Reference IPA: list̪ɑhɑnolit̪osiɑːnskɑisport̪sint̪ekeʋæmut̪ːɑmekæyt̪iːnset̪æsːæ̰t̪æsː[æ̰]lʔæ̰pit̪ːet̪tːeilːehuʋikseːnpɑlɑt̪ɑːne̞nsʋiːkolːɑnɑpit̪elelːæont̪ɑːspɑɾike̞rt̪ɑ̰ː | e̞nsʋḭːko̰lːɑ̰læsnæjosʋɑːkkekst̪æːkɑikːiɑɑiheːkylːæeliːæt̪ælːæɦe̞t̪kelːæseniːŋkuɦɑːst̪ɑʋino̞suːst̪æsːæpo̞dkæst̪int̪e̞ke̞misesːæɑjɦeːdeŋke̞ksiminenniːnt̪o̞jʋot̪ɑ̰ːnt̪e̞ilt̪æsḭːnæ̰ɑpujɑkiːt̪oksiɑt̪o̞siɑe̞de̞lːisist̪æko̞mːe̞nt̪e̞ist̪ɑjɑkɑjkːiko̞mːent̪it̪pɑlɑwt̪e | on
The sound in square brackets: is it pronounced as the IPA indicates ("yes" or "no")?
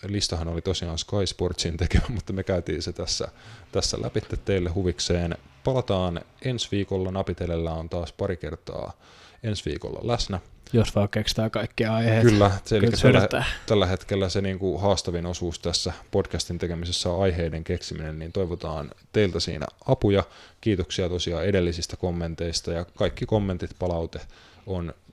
yes